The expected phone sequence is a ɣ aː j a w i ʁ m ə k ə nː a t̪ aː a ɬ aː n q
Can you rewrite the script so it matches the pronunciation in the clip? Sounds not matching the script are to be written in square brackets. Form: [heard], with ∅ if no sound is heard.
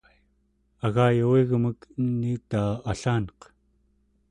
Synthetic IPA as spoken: a ɣ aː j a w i [ɣ] m ə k ə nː [i] t̪ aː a ɬ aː n q